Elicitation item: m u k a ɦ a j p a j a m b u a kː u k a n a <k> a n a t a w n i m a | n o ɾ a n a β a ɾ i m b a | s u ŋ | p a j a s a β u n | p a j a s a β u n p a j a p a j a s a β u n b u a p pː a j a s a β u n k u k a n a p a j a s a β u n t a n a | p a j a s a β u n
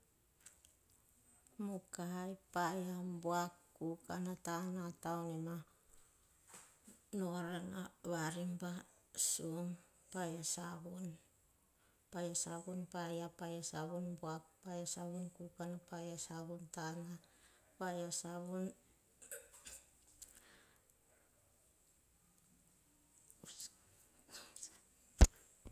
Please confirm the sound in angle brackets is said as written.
no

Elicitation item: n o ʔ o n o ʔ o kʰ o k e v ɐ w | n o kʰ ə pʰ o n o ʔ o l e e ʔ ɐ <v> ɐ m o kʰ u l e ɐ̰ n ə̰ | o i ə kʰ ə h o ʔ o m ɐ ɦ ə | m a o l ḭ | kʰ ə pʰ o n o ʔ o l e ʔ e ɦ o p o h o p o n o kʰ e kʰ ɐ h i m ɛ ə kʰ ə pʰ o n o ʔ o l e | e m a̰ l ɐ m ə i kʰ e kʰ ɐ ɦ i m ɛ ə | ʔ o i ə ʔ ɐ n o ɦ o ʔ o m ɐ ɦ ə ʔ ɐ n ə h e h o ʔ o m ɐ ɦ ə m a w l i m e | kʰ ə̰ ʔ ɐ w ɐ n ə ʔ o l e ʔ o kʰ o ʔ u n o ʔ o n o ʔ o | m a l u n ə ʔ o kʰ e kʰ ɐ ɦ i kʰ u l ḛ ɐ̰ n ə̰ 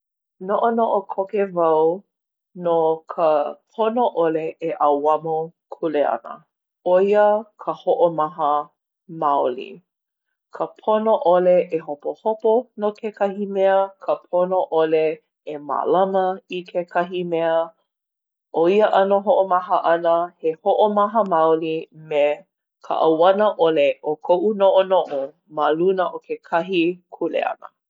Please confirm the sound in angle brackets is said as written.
no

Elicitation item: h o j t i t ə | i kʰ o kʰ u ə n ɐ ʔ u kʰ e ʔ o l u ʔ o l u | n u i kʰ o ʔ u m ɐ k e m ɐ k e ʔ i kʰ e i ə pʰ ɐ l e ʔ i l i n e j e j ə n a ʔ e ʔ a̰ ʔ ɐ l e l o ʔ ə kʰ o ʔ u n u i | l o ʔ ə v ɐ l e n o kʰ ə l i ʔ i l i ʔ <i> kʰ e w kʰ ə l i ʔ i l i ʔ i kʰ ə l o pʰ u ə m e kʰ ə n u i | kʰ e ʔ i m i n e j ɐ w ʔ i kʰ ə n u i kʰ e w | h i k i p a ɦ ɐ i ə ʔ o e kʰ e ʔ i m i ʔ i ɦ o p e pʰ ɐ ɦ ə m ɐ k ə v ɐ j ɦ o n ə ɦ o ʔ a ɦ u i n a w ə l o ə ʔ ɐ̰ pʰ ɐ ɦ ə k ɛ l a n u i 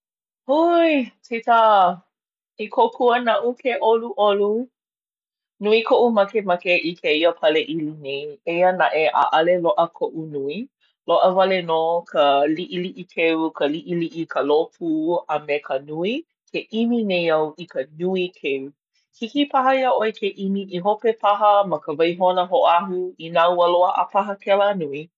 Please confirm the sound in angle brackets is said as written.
yes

